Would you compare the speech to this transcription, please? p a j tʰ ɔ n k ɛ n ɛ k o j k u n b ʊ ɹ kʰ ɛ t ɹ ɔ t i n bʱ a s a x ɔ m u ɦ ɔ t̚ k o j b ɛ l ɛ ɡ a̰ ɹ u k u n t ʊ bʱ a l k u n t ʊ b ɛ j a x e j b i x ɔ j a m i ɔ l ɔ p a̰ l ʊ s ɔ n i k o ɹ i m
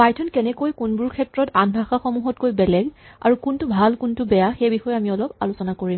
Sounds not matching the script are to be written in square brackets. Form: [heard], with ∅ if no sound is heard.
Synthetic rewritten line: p a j tʰ ɔ n k ɛ n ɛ k o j k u n b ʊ ɹ kʰ ɛ t ɹ ɔ t [a] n bʱ a [x] a x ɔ m u ɦ ɔ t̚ k o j b ɛ l ɛ ɡ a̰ ɹ u k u n t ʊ bʱ a l k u n t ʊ b ɛ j a x e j b i x ɔ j a m i ɔ l ɔ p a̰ l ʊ s ɔ n [a] k o ɹ i m

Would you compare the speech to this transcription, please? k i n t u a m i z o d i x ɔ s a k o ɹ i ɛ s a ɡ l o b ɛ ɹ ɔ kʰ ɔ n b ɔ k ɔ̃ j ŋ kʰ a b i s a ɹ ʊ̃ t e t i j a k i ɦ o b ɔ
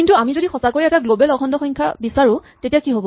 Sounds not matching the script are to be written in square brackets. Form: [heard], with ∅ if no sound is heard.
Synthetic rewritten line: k i n t u a m i z o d i x ɔ s a k o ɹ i ɛ [t] a ɡ l o b ɛ [l] ɔ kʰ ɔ n [d] ɔ [x] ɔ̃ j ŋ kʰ a b i s a ɹ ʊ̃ t e t i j a k i ɦ o b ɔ

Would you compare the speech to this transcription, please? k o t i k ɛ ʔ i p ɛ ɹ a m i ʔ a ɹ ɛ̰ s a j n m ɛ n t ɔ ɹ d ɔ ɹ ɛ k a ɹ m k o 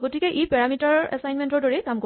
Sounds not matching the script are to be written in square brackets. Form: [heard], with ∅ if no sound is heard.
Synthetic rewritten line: [ɡ] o t i k ɛ ʔ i p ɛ ɹ a m i [t] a ɹ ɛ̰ s a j n m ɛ n t ɔ ɹ d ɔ ɹ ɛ k a [∅] m k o

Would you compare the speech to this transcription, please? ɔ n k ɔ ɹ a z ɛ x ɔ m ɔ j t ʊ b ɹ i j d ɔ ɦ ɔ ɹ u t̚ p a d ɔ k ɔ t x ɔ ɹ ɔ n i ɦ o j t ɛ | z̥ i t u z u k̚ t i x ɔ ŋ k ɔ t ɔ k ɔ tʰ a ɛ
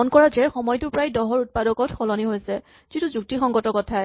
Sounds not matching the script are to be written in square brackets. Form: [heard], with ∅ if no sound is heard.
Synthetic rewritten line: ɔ n k ɔ ɹ a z ɛ x ɔ m ɔ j t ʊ [p] ɹ [a] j d ɔ ɦ ɔ ɹ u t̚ p a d ɔ k ɔ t x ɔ [l] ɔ n i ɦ o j [s] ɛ | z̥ i t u z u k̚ t i x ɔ ŋ [ɡ] ɔ t ɔ k ɔ tʰ a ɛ

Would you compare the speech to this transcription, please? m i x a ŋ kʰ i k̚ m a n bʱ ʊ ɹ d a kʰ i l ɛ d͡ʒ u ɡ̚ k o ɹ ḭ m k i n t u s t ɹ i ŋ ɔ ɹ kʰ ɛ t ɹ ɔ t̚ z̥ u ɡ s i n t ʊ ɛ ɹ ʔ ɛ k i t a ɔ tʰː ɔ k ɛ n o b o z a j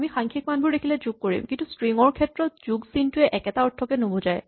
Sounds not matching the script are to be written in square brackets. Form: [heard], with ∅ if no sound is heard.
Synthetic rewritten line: m i x a ŋ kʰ i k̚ m a n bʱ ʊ ɹ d [e] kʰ i l ɛ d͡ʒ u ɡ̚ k o ɹ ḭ m k i n t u s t ɹ i ŋ ɔ ɹ kʰ ɛ t ɹ ɔ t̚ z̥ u ɡ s i n t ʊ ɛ [∅] ʔ ɛ k [ɛ] t a ɔ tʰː ɔ k ɛ n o b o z a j

